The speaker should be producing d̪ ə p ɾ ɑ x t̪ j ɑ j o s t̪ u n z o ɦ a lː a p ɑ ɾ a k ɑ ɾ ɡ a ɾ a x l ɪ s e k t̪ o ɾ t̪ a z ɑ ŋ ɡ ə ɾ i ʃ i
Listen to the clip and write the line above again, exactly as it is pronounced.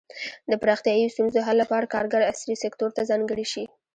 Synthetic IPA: d̪ ə p ɾ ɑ x t̪ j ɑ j o s t̪ u n z o ɦ a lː a p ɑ ɾ a k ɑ ɾ ɡ a ɾ a s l i s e k t̪ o ɾ t̪ a z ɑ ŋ ɡ ə ɽ i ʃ i